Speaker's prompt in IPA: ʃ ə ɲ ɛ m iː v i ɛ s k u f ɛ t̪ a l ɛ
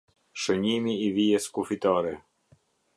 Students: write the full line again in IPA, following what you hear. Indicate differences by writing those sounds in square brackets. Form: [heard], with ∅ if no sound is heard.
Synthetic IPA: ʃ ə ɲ [i] m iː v i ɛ s k u f [i] t̪ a [ɾ] ɛ